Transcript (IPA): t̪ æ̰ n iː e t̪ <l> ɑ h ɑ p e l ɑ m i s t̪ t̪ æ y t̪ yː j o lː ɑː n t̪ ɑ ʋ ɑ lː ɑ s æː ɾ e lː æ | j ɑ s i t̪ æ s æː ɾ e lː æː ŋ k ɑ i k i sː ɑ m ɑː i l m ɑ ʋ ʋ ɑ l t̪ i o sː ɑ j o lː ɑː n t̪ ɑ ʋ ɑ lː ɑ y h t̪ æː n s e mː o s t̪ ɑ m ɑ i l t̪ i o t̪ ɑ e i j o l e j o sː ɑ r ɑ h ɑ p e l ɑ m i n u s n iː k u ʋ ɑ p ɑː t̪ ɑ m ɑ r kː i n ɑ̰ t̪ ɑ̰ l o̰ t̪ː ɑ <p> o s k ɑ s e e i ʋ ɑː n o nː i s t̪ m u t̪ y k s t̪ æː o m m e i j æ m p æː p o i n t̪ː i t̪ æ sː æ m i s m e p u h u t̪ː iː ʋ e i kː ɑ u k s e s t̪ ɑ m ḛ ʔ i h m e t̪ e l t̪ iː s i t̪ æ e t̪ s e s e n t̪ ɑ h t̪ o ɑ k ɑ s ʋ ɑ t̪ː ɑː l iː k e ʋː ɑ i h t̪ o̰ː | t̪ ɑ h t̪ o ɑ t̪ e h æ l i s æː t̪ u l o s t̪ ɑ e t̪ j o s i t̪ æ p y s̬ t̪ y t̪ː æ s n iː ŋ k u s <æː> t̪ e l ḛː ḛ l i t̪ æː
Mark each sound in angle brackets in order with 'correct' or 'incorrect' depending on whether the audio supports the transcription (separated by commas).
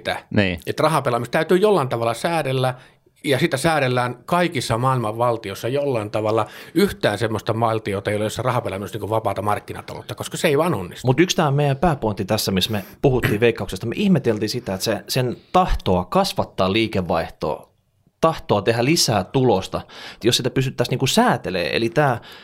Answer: incorrect, incorrect, correct